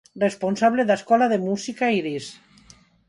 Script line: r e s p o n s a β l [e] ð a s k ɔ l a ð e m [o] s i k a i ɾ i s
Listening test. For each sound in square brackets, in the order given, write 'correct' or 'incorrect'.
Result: correct, incorrect

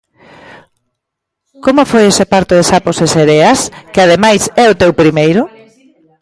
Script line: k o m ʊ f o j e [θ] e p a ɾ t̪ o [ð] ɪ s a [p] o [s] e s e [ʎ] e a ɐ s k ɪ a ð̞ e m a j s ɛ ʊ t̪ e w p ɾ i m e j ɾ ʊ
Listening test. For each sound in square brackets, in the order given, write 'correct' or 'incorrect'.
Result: incorrect, correct, correct, correct, incorrect

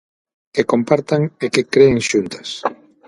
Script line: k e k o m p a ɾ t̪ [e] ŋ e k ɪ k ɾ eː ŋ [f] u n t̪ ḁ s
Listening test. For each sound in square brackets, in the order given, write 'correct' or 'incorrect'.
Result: incorrect, incorrect

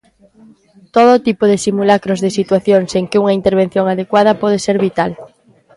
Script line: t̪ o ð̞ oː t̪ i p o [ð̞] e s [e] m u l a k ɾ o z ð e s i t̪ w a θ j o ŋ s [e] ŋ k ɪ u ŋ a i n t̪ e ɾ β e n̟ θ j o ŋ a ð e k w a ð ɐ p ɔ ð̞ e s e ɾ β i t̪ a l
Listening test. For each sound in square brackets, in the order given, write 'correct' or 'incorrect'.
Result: correct, incorrect, correct

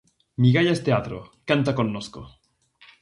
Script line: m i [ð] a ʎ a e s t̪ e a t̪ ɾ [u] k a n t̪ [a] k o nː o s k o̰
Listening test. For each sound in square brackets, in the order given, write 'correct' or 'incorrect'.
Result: incorrect, incorrect, correct

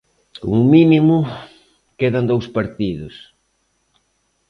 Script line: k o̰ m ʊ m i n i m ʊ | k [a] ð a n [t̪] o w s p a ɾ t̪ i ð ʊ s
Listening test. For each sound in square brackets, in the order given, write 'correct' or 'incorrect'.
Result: incorrect, incorrect

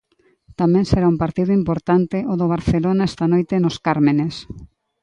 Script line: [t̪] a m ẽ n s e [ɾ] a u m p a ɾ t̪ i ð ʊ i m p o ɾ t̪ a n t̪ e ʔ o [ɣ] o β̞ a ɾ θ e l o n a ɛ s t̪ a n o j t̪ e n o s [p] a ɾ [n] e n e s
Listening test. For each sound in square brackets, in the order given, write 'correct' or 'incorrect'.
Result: correct, correct, incorrect, incorrect, incorrect

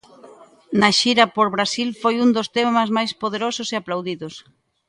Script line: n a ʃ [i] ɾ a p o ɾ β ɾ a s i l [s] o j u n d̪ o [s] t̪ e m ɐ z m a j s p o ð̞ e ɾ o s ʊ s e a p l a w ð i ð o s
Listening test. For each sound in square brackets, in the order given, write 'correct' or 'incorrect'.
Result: correct, incorrect, correct

